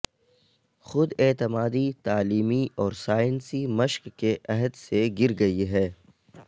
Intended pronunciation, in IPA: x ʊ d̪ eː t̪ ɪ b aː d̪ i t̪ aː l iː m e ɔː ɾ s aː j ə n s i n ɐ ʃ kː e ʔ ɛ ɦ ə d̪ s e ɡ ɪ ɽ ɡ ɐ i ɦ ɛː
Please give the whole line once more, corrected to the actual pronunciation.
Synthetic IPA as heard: x ʊ d̪ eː t̪ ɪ m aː d̪ i t̪ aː l iː m i ɔː ɾ s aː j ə n s i m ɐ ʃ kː e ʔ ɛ ɦ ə d̪ s e ɡ ɪ ɾ ɡ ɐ i ɦ ɛː